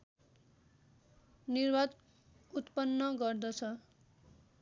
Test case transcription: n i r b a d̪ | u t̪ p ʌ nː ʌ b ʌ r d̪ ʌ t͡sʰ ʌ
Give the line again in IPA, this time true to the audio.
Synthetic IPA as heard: n i r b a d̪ | u t̪ p ʌ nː ʌ ɡ ʌ r d̪ ʌ t͡sʰ ʌ